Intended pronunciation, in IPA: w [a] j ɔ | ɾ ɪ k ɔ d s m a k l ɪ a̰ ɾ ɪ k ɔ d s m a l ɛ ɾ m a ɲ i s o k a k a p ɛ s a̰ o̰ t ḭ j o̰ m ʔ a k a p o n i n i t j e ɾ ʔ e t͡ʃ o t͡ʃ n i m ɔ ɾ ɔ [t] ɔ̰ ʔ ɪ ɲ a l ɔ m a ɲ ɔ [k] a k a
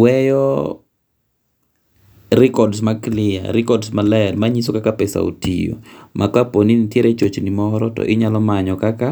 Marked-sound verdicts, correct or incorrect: incorrect, correct, correct

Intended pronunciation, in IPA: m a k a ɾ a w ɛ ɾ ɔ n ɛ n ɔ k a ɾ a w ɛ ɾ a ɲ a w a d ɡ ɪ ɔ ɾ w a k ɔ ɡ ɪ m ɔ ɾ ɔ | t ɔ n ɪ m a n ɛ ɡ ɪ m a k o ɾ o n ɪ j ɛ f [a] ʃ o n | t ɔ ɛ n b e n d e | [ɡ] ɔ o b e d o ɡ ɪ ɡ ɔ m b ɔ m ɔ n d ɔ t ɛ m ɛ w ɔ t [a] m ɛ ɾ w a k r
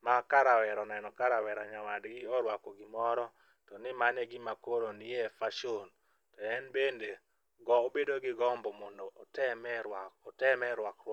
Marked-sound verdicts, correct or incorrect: correct, correct, incorrect

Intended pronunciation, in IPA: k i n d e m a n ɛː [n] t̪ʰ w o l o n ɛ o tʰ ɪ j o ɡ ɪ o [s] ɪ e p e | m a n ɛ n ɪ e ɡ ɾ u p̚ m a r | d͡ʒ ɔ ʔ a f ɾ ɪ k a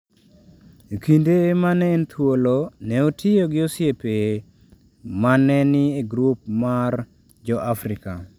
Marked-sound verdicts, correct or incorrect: correct, correct

